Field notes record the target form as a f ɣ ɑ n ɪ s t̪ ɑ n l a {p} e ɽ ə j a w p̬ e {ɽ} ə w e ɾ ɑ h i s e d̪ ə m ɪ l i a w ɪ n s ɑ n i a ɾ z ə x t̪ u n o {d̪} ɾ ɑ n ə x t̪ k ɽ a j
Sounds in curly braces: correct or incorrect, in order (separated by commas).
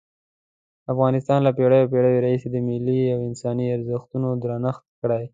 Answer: correct, correct, correct